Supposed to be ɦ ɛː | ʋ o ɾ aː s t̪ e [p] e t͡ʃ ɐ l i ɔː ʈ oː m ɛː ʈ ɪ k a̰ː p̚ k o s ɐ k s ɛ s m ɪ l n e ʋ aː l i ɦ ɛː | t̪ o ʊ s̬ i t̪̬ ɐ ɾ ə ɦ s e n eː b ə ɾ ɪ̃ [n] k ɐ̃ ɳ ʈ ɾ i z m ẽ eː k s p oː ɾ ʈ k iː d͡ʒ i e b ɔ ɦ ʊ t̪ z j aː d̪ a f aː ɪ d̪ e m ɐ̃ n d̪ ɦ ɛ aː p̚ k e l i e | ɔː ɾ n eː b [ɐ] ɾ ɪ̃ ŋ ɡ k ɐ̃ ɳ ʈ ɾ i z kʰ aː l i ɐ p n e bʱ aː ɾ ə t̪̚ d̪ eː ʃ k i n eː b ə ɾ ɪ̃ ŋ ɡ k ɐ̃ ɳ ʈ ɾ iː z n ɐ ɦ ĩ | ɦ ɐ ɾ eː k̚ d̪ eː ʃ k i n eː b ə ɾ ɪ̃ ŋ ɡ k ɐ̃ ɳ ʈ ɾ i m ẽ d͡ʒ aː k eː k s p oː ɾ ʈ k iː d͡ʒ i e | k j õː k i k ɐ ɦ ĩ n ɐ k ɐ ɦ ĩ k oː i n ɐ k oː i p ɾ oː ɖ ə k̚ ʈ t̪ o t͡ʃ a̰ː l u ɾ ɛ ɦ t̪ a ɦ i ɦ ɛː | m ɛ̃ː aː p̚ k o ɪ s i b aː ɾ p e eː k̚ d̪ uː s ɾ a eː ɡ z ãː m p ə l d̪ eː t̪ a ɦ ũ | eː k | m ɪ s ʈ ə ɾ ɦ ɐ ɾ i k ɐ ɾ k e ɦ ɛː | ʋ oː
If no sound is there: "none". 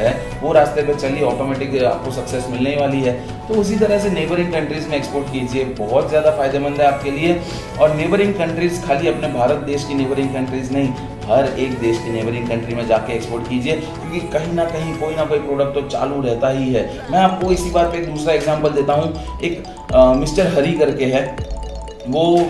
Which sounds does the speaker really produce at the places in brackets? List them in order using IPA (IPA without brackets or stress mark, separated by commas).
p, ŋ, ə